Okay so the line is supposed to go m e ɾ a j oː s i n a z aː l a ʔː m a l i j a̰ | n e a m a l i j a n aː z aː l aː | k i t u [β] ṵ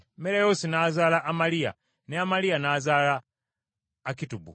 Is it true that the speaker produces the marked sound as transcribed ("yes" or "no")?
no